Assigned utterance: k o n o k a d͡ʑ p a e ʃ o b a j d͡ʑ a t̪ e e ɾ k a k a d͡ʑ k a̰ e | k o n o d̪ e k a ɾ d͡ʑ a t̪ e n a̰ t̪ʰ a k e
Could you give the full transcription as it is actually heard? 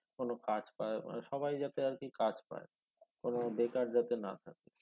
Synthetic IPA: k o n o k a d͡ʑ p a e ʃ ɔ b a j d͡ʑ a t̪ e a ɾ k i k a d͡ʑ p a̰ e | k o n o d̪ e k a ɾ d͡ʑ a t̪ e n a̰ t̪ʰ a k e